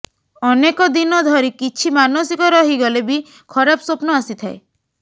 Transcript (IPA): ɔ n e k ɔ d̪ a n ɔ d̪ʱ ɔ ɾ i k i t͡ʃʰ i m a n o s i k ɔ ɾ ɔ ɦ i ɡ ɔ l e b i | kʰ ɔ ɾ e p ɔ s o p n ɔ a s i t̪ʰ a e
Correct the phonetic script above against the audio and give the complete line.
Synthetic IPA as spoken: ɔ n e k ɔ d̪ i n ɔ d̪ʱ ɔ ɾ i k i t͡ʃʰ i m a n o s i k ɔ ɾ ɔ ɦ i ɡ ɔ l e b i | kʰ ɔ ɾ a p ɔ s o p n ɔ a s i t̪ʰ a e